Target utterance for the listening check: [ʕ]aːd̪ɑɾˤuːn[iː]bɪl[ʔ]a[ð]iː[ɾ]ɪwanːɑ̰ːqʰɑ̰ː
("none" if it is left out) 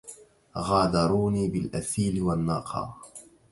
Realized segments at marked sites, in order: ɣ, iː, ʔ, θ, l

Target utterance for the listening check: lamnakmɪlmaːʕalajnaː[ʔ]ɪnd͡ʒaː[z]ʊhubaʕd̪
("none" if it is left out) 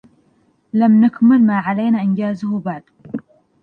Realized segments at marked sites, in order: ʔ, z

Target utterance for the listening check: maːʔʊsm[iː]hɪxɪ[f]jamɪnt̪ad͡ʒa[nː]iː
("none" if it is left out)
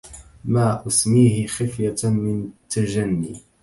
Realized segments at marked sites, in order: iː, f, nː

